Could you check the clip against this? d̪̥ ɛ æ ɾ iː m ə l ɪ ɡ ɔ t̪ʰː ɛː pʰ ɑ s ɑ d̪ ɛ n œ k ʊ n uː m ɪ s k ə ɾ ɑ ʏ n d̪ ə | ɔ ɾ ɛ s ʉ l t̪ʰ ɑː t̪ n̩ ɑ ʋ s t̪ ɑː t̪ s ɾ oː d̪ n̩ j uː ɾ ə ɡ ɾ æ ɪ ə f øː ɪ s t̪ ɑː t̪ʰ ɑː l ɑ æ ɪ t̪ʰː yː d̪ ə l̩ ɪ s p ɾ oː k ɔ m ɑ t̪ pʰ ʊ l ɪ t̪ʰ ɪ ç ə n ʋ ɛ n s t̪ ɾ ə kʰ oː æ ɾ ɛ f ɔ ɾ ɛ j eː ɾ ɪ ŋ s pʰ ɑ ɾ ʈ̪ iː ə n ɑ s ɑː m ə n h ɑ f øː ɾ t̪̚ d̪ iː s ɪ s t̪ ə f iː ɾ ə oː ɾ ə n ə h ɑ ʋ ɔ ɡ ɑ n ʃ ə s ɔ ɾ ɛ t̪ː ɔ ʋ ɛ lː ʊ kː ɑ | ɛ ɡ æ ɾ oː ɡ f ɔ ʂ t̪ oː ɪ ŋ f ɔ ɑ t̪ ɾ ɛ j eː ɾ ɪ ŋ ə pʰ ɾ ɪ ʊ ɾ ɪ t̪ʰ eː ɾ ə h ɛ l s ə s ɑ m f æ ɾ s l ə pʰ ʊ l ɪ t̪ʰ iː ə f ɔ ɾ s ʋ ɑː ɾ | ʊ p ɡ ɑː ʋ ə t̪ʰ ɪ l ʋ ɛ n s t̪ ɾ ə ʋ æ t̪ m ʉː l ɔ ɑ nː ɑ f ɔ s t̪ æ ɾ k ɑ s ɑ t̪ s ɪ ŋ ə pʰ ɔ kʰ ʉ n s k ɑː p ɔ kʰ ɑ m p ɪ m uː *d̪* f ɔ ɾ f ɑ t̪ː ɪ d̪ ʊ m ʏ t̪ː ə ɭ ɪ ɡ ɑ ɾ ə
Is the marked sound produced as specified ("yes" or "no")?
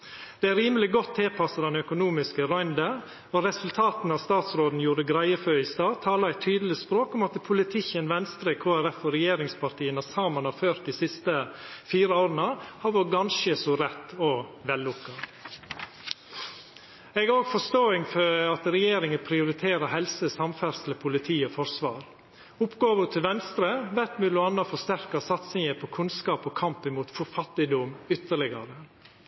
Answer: no